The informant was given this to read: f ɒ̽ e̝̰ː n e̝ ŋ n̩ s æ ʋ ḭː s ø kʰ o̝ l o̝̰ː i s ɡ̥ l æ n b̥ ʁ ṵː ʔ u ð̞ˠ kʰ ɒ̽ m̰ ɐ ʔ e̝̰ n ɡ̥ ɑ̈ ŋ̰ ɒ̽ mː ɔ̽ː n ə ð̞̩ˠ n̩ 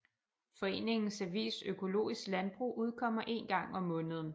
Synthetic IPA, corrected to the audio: f ɒ̽ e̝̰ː n e̝ ŋ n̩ s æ ʋ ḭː s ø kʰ o̝ l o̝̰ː i s ɡ̥ l æ n b̥ ʁ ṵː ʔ u ð̞ˠ kʰ ɒ̽ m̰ ɐ ʔ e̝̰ n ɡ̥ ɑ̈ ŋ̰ ɒ̽ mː ɔ̽ː n ə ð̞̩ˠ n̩